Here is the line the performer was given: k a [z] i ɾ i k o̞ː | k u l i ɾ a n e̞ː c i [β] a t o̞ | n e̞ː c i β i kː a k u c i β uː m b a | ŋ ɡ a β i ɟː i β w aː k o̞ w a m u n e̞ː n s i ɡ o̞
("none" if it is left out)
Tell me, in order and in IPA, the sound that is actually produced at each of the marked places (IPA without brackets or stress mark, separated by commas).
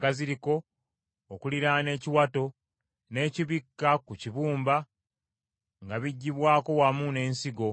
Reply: z, w